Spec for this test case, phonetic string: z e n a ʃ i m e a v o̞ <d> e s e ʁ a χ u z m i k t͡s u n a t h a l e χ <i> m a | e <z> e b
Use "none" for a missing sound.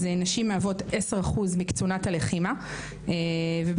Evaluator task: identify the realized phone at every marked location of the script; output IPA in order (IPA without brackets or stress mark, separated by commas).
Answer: t, i, v